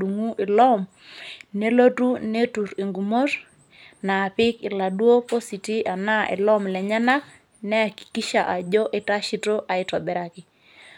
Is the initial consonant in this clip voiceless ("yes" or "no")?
no